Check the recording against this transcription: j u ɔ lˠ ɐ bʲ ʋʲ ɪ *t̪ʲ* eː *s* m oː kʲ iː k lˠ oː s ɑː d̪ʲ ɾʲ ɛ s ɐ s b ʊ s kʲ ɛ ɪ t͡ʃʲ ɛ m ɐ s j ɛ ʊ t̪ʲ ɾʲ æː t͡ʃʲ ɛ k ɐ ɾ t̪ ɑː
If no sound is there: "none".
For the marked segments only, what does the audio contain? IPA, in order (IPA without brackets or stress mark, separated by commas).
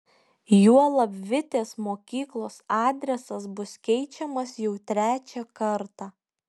t̪ʲ, s